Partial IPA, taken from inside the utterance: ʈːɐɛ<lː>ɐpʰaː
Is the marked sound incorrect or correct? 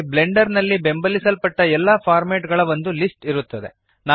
correct